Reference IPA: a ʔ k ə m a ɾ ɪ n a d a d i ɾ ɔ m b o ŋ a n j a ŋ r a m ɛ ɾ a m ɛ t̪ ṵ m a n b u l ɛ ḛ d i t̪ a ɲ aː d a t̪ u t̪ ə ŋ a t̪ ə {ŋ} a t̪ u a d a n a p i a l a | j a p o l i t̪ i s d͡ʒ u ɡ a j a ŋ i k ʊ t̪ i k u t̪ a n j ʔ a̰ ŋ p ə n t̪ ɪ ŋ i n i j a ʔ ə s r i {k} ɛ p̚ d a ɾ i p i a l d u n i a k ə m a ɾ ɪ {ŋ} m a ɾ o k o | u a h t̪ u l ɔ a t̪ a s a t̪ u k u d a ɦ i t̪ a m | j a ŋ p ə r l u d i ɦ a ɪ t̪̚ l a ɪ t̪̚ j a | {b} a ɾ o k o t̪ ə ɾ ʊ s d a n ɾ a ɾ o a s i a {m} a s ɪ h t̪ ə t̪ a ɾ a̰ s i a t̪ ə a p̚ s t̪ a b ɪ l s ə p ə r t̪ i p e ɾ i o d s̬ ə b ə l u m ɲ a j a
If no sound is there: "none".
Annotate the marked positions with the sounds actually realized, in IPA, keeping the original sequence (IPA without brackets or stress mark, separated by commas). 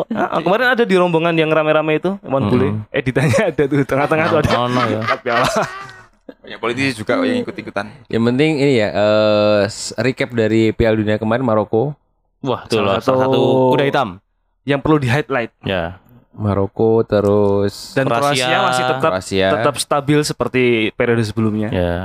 ŋ, k, n, m, m